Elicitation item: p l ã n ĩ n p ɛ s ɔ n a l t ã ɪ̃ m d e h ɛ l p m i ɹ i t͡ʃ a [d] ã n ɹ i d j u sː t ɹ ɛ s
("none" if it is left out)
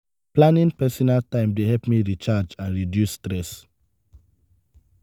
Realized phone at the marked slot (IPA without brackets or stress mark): d͡ʒ